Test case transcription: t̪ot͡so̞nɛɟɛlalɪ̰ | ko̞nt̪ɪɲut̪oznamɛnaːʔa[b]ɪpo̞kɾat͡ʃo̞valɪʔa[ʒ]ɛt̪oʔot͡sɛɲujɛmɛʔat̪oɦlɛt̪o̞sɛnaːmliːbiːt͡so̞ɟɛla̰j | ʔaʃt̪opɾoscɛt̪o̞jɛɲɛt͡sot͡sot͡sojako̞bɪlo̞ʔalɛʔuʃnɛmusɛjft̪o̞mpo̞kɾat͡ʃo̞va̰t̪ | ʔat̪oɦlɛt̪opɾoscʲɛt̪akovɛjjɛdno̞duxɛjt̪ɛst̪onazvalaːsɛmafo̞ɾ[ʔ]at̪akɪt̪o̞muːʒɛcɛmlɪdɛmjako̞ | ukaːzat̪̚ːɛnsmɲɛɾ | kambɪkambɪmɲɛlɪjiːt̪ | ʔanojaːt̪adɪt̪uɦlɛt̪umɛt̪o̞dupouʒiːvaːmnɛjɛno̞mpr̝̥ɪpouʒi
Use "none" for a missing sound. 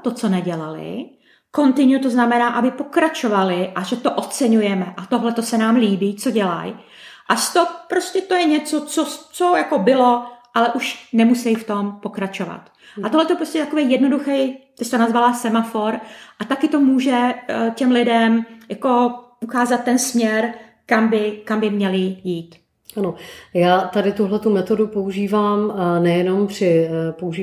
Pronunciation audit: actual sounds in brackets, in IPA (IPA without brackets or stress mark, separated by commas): b, ʒ, ʔ